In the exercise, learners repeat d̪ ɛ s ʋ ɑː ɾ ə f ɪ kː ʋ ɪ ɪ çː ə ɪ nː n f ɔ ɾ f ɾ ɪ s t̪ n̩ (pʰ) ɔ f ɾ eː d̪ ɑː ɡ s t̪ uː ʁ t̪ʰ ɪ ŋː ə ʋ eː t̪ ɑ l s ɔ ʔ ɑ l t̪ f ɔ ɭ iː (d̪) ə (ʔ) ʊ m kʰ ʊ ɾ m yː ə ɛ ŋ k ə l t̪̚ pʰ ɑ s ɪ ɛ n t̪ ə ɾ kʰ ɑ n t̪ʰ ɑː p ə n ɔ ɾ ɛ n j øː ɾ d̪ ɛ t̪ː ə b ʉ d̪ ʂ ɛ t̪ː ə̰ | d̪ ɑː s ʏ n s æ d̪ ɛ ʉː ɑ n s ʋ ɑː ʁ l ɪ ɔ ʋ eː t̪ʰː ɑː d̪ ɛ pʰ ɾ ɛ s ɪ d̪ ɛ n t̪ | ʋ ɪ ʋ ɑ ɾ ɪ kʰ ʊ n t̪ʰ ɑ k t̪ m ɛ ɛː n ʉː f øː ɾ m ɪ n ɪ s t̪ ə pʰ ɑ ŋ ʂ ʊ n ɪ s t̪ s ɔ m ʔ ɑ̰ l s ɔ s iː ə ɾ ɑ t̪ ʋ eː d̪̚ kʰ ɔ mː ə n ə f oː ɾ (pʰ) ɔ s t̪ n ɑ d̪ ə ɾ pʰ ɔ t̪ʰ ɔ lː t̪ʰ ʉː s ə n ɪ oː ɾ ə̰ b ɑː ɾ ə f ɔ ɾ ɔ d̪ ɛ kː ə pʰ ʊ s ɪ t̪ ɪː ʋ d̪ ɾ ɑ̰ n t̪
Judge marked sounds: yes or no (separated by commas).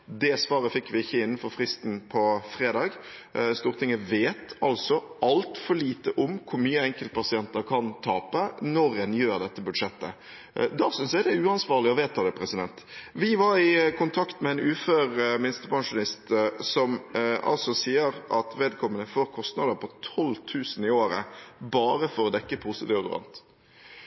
yes, no, yes, no